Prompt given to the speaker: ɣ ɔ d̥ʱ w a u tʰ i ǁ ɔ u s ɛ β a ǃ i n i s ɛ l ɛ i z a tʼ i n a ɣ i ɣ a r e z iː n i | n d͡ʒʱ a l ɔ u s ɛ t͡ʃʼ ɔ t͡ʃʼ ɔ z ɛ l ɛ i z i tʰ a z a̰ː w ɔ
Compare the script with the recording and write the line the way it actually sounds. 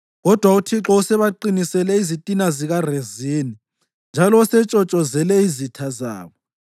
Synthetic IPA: ɣ ɔ d̥ʱ w a u tʰ i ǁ ɔ u s ɛ β a ǃ i n i s ɛ l ɛ i z i tʼ i n a z i ɣ a r e z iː n i | n d͡ʒʱ a l ɔ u s ɛ t͡ʃʼ ɔ t͡ʃʼ ɔ z ɛ l ɛ i z i tʰ a z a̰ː β ɔ